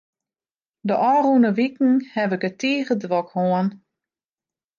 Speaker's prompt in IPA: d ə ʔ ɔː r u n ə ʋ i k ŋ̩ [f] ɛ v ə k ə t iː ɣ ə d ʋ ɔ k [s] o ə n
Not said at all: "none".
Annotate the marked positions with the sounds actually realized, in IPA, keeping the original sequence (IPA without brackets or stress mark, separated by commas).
h, h